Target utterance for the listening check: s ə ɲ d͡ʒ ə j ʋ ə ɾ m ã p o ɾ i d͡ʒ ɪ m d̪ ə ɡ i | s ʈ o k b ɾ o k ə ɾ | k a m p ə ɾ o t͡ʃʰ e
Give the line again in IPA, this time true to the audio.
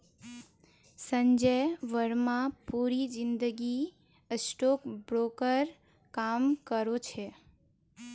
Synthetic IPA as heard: s ə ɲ d͡ʒ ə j ʋ ə ɾ m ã p u ɾ i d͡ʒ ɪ n d̪ ə ɡ i | s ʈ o k b ɾ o k ə ɾ | k a m k ə ɾ o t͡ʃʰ e